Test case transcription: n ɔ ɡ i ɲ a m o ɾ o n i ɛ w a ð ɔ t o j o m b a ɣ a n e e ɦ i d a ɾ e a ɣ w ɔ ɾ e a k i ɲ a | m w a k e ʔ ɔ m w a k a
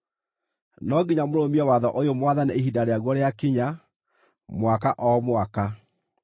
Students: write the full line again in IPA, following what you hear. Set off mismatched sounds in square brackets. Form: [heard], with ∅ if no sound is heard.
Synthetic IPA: n ɔ ɡ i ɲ a m o ɾ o [m] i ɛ w a ð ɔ [ʔ] o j o m [w] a [ð] a n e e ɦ i d a ɾ e a ɣ w ɔ ɾ e a k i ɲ a | m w a k [a] ʔ ɔ m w a k a